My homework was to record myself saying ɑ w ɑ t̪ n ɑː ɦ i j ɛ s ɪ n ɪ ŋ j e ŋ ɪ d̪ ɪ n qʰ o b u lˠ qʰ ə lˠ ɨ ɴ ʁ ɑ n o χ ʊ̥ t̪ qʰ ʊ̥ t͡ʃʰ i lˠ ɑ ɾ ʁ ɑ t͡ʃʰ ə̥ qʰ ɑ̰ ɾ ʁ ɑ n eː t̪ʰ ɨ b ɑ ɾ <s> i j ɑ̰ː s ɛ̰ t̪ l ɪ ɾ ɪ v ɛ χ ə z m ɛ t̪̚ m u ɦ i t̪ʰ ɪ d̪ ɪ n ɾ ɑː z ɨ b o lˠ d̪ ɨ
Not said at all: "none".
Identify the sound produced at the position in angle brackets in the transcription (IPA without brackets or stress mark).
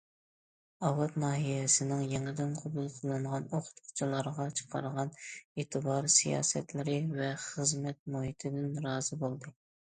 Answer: s